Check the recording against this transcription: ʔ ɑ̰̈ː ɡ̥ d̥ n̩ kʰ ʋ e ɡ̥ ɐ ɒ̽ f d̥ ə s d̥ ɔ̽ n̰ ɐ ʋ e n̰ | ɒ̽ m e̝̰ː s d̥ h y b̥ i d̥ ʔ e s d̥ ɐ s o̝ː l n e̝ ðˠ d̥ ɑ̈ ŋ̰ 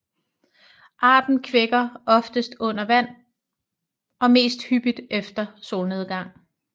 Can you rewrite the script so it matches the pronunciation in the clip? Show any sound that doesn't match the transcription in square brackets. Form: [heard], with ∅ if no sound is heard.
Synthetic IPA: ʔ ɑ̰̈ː [∅] d̥ n̩ kʰ ʋ e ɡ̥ ɐ ɒ̽ f d̥ ə s d̥ ɔ̽ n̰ ɐ ʋ [æ] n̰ | ɒ̽ m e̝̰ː s d̥ h y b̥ i d̥ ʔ e [f] d̥ ɐ s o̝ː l n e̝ ðˠ [ɡ̥] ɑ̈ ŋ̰

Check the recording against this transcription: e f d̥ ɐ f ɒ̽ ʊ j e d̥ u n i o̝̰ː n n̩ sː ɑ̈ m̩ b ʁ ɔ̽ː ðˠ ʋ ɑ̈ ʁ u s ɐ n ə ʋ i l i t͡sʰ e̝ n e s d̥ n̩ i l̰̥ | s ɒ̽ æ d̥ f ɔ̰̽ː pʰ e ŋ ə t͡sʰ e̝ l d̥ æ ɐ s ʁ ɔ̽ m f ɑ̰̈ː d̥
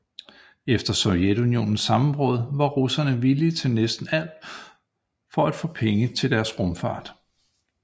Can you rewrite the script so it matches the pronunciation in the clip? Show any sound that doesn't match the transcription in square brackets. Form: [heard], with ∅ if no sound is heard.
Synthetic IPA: e f d̥ ɐ [s] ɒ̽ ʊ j e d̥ u n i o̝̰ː n n̩ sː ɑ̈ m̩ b ʁ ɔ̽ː ðˠ ʋ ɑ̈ ʁ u s ɐ n ə ʋ i l i t͡sʰ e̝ n e s d̥ n̩ [æ] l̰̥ | [f] ɒ̽ æ d̥ f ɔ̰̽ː pʰ e ŋ ə t͡sʰ e̝ l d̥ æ ɐ s ʁ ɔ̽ m f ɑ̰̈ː d̥

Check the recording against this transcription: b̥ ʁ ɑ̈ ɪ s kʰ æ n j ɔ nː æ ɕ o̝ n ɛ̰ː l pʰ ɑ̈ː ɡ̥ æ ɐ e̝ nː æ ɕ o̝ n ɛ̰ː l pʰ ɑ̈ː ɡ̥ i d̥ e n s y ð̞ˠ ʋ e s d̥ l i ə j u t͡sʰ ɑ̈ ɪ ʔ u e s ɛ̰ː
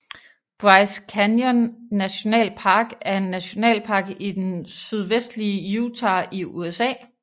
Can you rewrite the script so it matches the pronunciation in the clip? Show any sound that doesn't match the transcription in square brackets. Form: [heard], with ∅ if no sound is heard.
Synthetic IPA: b̥ ʁ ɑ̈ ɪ s kʰ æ n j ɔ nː æ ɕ o̝ n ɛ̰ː l pʰ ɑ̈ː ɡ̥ æ ɐ e̝ nː æ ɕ o̝ n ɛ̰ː l pʰ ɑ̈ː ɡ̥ i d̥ e n s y ð̞ˠ ʋ e s d̥ l i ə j u t͡sʰ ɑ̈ [i] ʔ u e s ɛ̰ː

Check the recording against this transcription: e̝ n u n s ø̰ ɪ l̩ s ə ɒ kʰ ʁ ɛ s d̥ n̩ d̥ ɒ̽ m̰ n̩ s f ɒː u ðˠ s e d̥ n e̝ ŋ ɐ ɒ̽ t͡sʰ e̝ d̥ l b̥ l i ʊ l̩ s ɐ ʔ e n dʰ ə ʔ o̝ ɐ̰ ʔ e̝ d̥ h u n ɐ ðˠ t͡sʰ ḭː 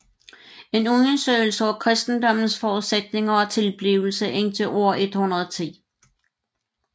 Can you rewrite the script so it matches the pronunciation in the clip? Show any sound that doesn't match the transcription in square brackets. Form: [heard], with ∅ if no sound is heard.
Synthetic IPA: e̝ n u n s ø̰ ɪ l̩ s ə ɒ kʰ ʁ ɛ s d̥ n̩ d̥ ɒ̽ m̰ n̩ s f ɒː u ðˠ s e d̥ n e̝ ŋ ɐ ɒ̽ t͡sʰ e̝ [∅] l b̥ l i ʊ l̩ s [ə] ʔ e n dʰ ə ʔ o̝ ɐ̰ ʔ e̝ d̥ h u n ɐ ðˠ t͡sʰ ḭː

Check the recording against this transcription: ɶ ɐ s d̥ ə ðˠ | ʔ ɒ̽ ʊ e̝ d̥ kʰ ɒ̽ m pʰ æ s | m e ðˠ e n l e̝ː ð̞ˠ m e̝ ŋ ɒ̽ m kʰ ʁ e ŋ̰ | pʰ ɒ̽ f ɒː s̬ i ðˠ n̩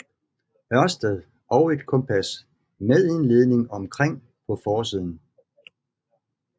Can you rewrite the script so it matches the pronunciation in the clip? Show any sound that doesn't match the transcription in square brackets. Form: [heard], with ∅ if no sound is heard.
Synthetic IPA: ɶ ɐ s d̥ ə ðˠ | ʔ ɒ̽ ʊ e̝ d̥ kʰ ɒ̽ m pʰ æ s | m e ðˠ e n l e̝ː ð̞ˠ [n] e̝ ŋ ɒ̽ m kʰ ʁ e ŋ̰ | pʰ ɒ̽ f ɒː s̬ i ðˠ n̩

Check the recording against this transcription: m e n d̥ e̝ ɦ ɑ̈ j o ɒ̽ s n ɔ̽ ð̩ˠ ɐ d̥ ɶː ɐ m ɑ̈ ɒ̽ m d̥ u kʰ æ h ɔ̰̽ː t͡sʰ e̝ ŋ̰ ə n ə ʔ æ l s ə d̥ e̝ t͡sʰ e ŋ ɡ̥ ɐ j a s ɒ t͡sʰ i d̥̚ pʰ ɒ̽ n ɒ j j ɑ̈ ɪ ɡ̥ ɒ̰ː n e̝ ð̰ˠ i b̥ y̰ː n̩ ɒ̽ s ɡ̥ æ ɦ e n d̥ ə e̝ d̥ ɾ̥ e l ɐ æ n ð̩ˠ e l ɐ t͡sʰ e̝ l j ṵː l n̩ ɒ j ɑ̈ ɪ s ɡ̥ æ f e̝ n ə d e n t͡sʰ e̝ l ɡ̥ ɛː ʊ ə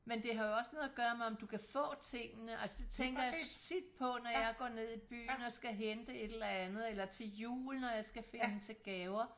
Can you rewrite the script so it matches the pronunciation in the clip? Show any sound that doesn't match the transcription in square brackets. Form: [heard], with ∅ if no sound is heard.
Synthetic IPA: m e n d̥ e̝ ɦ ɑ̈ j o ɒ̽ s n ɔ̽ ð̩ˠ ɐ [ɡ̥] ɶː ɐ m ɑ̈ ɒ̽ m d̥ u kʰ æ [f] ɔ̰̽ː t͡sʰ e̝ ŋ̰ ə n ə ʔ æ l s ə d̥ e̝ t͡sʰ e ŋ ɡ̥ ɐ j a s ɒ t͡sʰ i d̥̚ pʰ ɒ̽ n ɒ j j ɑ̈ ɪ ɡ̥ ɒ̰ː n e̝ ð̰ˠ i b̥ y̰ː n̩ ɒ̽ s ɡ̥ æ ɦ e n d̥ ə e̝ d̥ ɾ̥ e l ɐ æ n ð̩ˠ e l ɐ t͡sʰ e̝ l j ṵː l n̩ ɒ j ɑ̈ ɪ s ɡ̥ æ f e̝ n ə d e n t͡sʰ e̝ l ɡ̥ ɛː ʊ [ɐ]

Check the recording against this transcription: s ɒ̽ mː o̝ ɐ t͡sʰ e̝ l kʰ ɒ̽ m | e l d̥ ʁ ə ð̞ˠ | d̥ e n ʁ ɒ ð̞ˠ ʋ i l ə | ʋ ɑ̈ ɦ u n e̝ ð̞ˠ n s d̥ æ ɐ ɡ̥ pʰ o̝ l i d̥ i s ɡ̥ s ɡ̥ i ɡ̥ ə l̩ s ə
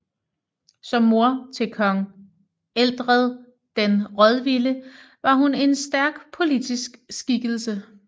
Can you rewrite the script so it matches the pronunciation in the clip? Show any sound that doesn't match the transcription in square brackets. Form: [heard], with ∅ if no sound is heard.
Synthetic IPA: s ɒ̽ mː o̝ ɐ t͡sʰ e̝ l kʰ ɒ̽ [ŋ] | e l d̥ ʁ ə ð̞ˠ | d̥ e n ʁ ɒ ð̞ˠ ʋ i l ə | ʋ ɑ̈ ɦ u n e̝ [∅] n s d̥ æ ɐ ɡ̥ pʰ o̝ l i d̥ i s ɡ̥ s ɡ̥ i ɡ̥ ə l̩ s ə

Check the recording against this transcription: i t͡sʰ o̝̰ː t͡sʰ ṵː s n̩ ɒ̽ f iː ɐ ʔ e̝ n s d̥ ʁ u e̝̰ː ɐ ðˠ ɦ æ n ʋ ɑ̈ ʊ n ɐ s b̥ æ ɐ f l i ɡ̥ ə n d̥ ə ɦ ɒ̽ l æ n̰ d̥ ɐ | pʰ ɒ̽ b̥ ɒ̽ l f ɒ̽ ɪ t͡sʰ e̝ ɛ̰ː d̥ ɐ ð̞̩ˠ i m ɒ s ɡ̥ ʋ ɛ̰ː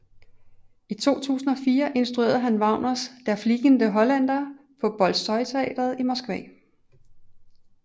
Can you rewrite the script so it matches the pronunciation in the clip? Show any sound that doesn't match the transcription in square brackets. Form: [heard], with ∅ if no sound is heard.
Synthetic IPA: i t͡sʰ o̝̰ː t͡sʰ ṵː s n̩ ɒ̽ f iː ɐ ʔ e̝ n s d̥ ʁ u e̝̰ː ɐ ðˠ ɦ æ n ʋ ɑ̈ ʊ n ɐ s [d̥] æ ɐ f l i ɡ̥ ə n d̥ ə ɦ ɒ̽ l æ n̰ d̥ ɐ | pʰ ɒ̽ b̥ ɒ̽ l [s] ɒ̽ ɪ t͡sʰ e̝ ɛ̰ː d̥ ɐ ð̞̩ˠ i m ɒ s ɡ̥ ʋ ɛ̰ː

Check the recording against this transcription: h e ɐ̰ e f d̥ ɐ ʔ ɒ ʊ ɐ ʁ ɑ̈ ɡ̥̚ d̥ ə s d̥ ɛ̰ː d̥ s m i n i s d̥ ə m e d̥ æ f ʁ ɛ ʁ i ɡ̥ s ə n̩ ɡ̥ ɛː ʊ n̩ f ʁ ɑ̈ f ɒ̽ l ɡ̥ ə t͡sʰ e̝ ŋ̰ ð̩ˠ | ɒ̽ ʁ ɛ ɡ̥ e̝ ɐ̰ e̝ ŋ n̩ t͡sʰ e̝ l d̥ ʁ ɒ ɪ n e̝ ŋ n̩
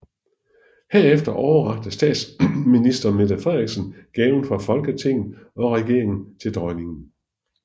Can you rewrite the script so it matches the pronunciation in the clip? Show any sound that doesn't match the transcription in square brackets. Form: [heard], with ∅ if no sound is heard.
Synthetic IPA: h e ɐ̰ e f d̥ ɐ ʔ ɒ ʊ ɐ ʁ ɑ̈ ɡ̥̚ d̥ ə s d̥ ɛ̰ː d̥ s m i n i s d̥ [ɐ] m e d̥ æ f ʁ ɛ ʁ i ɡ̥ s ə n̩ ɡ̥ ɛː ʊ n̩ f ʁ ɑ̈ f ɒ̽ l ɡ̥ ə t͡sʰ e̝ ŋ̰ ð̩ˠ | ɒ̽ ʁ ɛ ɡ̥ e̝ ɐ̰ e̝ ŋ n̩ t͡sʰ e̝ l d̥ ʁ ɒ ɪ n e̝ ŋ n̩

